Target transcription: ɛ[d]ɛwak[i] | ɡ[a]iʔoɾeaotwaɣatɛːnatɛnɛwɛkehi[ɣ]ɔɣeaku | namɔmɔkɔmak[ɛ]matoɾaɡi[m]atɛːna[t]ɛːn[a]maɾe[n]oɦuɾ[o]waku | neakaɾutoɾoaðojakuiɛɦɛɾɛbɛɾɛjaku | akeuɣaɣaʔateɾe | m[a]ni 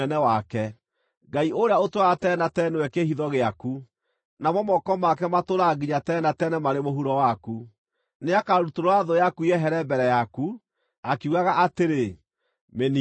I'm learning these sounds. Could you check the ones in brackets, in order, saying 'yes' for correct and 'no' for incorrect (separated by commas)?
no, no, yes, no, yes, no, yes, no, no, no, no